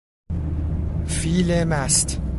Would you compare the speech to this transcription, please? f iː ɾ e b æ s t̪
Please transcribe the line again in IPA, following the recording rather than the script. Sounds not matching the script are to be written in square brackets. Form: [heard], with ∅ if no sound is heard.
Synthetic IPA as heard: f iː [l] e [m] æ s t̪